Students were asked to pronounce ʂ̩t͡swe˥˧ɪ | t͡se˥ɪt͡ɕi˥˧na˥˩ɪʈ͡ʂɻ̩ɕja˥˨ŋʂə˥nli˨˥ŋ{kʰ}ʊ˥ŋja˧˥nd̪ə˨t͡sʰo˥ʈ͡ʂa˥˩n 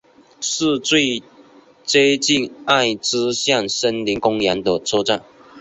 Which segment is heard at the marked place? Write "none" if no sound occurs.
k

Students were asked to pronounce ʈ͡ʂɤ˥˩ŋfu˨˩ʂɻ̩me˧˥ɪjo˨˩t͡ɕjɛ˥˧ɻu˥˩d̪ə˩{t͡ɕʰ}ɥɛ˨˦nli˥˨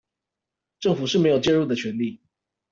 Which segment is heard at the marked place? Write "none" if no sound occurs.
t͡ɕʰ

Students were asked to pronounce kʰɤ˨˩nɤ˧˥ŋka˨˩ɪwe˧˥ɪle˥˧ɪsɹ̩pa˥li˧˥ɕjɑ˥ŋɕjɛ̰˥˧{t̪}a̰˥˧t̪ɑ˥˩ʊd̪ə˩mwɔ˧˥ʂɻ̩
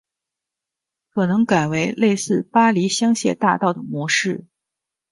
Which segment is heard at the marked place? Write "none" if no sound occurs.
t̪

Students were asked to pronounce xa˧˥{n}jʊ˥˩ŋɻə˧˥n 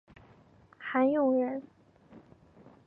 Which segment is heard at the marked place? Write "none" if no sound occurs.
n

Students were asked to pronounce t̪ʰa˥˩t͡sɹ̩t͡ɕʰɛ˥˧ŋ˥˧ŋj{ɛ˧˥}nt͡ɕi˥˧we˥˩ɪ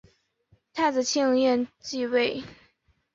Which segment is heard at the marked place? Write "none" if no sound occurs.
ɛ˥˧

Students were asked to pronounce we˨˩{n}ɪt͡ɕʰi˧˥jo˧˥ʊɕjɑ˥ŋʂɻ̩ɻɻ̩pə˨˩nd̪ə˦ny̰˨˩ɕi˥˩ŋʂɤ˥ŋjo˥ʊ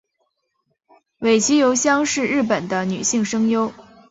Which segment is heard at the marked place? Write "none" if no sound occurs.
none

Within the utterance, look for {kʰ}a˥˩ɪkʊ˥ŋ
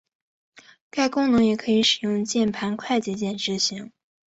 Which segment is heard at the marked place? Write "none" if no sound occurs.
k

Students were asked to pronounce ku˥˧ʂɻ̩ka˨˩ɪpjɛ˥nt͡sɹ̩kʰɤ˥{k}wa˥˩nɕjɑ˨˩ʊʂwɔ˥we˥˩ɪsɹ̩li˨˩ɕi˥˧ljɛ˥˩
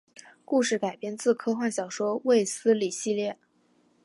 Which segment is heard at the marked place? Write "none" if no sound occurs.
x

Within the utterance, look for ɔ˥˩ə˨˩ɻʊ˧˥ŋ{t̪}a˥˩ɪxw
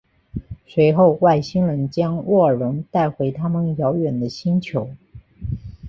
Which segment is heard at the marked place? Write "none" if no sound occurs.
t̪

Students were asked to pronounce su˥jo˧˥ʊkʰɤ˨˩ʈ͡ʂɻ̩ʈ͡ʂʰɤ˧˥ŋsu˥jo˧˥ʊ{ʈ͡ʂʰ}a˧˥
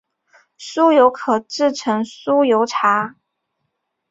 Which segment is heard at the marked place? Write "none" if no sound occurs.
ʈ͡ʂʰ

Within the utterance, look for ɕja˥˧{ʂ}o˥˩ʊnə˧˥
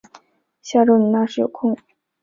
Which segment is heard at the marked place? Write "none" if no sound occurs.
ʈ͡ʂ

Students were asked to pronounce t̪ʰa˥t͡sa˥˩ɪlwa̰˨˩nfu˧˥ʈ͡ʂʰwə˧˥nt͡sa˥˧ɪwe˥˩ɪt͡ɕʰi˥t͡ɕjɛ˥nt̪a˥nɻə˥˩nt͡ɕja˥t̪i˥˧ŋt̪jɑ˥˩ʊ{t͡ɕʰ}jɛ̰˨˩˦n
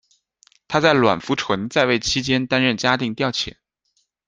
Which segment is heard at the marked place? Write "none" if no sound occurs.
t͡ɕʰ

